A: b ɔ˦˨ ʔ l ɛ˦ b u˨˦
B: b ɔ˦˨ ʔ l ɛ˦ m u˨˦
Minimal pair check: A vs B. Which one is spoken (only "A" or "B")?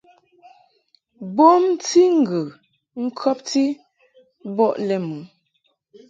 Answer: B